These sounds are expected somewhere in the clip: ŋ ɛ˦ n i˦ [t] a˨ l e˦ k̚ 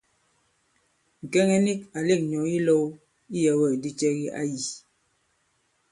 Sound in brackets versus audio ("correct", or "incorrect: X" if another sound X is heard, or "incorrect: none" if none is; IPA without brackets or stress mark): incorrect: k